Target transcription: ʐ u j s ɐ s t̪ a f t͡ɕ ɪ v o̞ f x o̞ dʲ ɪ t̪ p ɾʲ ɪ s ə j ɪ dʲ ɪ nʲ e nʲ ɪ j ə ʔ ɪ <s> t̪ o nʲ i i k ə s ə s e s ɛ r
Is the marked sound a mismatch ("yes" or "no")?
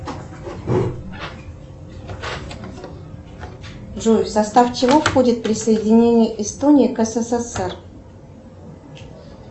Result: no